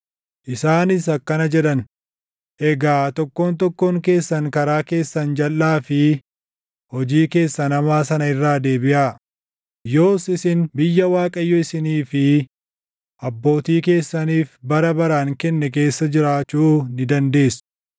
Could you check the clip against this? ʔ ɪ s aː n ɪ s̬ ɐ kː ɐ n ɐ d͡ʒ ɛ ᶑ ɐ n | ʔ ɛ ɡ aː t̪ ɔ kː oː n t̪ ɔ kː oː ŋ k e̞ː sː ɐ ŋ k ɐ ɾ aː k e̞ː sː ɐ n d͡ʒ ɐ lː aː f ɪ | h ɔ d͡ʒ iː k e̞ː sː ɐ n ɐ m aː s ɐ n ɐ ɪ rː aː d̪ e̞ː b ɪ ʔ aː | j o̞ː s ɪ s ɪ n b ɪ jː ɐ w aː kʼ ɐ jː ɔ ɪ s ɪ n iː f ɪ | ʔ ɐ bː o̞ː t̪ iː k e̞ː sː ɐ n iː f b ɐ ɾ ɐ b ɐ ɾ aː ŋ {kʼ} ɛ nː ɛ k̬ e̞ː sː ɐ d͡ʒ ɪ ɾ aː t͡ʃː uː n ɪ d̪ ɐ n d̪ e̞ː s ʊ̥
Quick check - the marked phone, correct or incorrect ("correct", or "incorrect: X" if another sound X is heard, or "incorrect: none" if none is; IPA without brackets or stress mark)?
incorrect: k